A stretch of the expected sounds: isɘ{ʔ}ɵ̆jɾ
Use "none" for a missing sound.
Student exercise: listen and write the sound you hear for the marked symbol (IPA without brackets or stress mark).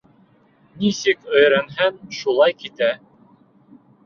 k